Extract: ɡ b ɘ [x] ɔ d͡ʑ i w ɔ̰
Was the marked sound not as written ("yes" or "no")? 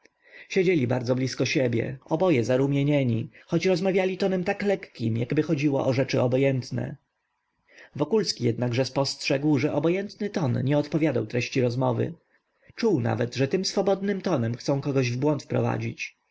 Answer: no